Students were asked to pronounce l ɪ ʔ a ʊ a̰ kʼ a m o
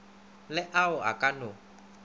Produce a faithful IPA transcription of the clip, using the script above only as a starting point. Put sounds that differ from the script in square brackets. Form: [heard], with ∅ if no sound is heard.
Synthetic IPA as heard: l ɪ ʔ a ʊ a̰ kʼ a [n] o